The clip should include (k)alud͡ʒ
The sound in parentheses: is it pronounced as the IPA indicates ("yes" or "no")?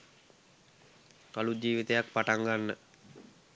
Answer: yes